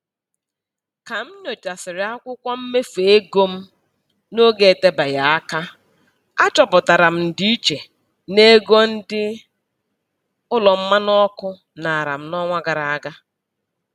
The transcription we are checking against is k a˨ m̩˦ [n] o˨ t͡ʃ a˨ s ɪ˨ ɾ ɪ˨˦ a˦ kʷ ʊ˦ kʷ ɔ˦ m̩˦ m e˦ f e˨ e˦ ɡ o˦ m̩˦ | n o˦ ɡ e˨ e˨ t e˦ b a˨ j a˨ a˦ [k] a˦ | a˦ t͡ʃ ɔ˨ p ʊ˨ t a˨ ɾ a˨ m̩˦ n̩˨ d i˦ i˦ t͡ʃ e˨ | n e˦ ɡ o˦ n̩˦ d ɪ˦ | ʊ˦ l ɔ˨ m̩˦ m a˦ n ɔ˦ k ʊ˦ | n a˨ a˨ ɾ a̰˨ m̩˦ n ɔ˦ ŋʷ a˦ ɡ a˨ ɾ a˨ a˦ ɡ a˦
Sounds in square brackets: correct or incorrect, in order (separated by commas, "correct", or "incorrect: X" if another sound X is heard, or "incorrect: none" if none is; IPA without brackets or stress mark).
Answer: correct, correct